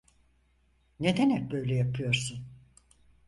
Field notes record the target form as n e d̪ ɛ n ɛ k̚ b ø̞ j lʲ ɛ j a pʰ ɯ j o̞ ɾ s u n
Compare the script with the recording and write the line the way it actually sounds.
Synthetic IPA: n e d̪ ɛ n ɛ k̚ b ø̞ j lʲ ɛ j a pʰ ɯ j o̞ ɾ s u n